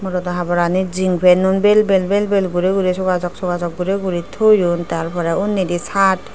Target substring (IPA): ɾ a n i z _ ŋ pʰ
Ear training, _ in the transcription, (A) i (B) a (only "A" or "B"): A